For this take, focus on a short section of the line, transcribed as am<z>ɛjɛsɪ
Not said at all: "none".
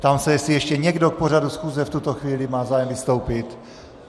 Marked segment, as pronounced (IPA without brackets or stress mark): s